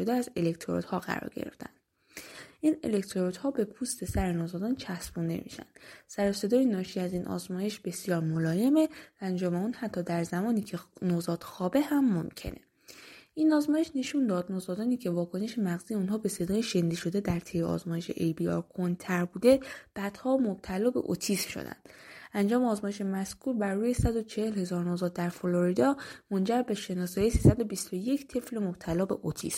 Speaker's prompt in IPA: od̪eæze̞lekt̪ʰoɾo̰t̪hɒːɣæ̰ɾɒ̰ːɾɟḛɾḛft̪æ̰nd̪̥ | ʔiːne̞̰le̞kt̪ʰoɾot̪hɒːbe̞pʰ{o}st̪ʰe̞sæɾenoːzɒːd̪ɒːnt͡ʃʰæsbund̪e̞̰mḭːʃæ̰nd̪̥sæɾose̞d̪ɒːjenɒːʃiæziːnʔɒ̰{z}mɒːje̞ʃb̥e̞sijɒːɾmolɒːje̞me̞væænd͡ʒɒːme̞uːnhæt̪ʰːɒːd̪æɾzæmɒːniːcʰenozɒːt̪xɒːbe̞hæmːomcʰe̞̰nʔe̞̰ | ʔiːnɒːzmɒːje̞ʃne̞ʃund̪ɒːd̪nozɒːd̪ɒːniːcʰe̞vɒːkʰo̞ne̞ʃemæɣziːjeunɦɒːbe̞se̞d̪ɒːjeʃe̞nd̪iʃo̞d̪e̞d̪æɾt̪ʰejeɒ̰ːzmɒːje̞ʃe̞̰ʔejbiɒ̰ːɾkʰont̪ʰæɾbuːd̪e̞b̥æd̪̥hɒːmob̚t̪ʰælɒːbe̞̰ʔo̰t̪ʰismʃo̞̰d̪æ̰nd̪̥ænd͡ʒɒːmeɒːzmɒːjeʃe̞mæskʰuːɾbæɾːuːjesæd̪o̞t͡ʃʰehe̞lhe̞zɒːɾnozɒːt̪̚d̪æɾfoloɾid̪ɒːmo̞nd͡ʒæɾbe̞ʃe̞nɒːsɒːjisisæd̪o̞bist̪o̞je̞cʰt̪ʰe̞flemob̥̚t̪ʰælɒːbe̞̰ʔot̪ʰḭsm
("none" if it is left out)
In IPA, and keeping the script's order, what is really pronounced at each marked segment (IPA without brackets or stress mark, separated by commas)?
u, z